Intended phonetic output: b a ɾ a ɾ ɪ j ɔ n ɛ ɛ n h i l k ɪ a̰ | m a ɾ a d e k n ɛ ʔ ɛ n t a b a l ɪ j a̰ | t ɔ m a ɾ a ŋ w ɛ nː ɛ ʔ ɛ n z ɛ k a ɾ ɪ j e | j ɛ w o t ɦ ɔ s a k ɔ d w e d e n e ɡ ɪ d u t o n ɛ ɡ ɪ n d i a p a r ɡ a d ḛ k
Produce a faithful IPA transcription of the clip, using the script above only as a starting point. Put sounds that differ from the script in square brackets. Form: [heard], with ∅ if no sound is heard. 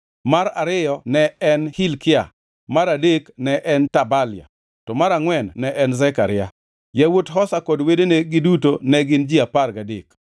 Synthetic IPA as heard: [m] a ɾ a ɾ ɪ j ɔ n ɛ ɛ n h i l k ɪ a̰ | m a ɾ a d e k n ɛ ʔ ɛ n t a b a l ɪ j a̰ | t ɔ m a ɾ a ŋ w ɛ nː ɛ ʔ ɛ n z ɛ k a ɾ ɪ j [a] | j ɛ w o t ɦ ɔ s a k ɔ d w e d e n e ɡ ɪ d u t o n ɛ ɡ ɪ n [d͡ʒ] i a p a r ɡ a d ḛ k

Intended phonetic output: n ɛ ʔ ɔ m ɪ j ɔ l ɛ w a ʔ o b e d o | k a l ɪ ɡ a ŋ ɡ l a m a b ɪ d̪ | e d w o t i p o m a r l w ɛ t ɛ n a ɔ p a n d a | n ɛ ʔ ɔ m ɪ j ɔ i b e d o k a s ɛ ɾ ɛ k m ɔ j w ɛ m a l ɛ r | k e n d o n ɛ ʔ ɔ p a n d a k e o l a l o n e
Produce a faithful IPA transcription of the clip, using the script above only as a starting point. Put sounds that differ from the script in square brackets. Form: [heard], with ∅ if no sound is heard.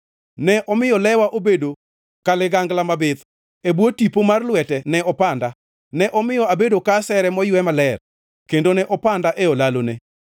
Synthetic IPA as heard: n ɛ ʔ ɔ m ɪ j ɔ l ɛ w a ʔ o b e d o | k a l ɪ ɡ a ŋ ɡ l a m a b ɪ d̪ | e [b] w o t i p o m a r l w ɛ t ɛ n [ɛ] ɔ p a n d a | n ɛ ʔ ɔ m ɪ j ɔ [a] b e d o k a s ɛ ɾ ɛ [∅] m ɔ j w ɛ m a l ɛ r | k e n d o n ɛ ʔ ɔ p a n d a [ʔ] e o l a l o n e

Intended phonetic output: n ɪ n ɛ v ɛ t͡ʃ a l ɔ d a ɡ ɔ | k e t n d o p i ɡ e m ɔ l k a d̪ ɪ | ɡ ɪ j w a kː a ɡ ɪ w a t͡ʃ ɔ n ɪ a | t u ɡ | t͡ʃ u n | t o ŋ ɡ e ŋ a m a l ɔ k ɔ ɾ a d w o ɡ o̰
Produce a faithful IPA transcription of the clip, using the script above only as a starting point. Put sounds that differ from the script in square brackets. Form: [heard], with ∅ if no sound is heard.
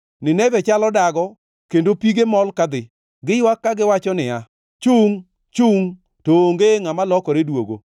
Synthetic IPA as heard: n ɪ n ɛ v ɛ t͡ʃ a l ɔ d a ɡ ɔ | k e [∅] n d o p i ɡ e m ɔ l k a d̪ ɪ | ɡ ɪ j w a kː a ɡ ɪ w a t͡ʃ ɔ n ɪ a | [t͡ʃ] u [ŋ] | t͡ʃ u [ŋ] | t o ŋ ɡ e ŋ a m a l ɔ k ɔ ɾ [e] d w o ɡ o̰

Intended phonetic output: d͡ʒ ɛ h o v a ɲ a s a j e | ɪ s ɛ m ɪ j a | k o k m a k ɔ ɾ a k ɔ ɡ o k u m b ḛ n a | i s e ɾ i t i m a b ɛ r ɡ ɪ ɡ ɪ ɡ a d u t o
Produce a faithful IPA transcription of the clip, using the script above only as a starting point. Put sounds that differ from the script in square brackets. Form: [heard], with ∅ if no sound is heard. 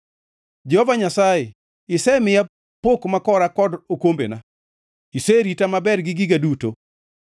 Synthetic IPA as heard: d͡ʒ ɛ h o v a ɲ a s a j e | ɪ s ɛ m ɪ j a | [p] o k m a k ɔ ɾ a k ɔ [d] o k [o] m b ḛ n a | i s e ɾ i t [a] m a b ɛ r ɡ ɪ ɡ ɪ ɡ a d u t o

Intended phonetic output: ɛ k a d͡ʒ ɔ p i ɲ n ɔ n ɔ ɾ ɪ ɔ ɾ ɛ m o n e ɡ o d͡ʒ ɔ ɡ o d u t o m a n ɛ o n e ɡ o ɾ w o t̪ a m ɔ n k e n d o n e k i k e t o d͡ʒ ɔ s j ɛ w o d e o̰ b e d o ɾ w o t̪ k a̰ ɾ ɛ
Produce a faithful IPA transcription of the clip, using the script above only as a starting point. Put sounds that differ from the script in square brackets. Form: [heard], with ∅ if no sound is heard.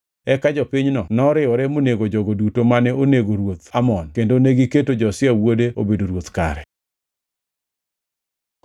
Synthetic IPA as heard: ɛ k a d͡ʒ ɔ p i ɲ n ɔ n ɔ ɾ ɪ ɔ ɾ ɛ m o n e ɡ o d͡ʒ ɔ ɡ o d u t o m a n ɛ o n e ɡ o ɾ w o t̪ a m ɔ n k e n d o n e [ɡ] i k e t o d͡ʒ ɔ s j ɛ w o d e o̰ b e d o ɾ w o t̪ k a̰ ɾ ɛ

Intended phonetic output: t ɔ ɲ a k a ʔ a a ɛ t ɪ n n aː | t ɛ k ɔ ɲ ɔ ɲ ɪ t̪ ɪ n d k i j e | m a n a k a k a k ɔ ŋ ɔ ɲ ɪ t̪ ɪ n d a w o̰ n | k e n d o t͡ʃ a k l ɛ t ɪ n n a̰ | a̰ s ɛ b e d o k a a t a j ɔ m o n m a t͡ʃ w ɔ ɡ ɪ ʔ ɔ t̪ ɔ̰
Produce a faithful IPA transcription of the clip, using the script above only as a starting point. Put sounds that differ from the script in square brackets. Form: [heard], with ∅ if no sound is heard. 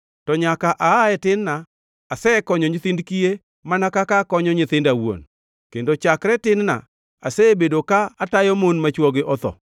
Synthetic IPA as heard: t ɔ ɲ a k a ʔ a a ɛ t ɪ n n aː | [s] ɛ k ɔ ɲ ɔ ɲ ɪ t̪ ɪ n d k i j e | m a n a k a k a k ɔ [ɲ] ɔ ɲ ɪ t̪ ɪ n d a w o̰ n | k e n d o t͡ʃ a k [ɾ] ɛ t ɪ n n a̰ | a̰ s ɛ b e d o k a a t a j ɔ m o n m a t͡ʃ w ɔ ɡ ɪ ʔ ɔ t̪ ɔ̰

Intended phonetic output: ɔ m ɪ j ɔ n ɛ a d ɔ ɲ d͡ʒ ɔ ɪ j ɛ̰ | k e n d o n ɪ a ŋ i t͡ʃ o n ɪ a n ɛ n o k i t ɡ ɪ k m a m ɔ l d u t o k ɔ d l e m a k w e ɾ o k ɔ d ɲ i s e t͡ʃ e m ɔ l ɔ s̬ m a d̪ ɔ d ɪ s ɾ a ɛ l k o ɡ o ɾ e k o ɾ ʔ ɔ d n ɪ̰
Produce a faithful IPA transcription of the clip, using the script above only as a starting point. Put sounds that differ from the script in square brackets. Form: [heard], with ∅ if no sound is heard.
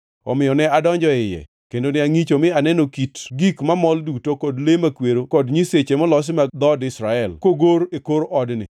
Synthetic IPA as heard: ɔ m ɪ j ɔ n ɛ a d ɔ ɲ d͡ʒ ɔ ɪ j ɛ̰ | k e n d o n ɪ a ŋ i t͡ʃ o [m] ɪ a n ɛ n o k i t ɡ [i] k m a m ɔ l d u t o k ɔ d l e m a k w e ɾ o k ɔ d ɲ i s e t͡ʃ e m ɔ l ɔ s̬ m a d̪ ɔ d ɪ s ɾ a ɛ l k o ɡ o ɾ e k o ɾ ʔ ɔ d n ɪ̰

